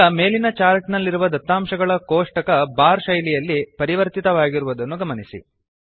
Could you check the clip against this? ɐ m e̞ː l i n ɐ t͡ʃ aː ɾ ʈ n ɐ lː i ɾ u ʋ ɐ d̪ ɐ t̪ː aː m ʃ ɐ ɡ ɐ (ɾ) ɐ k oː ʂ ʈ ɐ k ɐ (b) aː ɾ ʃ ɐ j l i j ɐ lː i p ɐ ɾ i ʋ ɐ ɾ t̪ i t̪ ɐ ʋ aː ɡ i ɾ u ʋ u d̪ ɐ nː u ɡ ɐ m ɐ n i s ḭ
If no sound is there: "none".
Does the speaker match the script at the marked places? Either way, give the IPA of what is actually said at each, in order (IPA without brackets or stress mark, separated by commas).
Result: ɭ, b